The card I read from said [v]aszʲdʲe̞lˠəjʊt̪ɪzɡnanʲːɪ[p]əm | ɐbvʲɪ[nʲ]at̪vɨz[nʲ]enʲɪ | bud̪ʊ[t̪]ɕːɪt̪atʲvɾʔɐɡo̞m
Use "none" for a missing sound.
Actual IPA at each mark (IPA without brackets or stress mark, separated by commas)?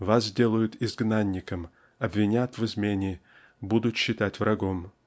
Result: v, k, nʲ, mʲ, t̪